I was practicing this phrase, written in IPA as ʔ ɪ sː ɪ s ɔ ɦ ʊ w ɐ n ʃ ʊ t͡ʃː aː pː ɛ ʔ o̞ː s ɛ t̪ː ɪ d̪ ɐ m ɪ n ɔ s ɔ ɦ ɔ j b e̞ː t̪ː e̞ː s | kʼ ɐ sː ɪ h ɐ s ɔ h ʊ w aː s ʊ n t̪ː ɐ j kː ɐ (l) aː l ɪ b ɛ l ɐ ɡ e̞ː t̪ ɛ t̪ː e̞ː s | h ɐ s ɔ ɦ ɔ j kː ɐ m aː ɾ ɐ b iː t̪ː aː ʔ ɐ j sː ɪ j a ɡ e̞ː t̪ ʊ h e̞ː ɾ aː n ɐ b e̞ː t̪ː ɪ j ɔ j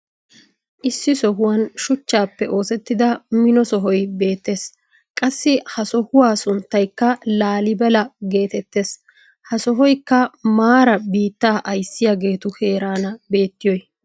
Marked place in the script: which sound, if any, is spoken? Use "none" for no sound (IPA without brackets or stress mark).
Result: l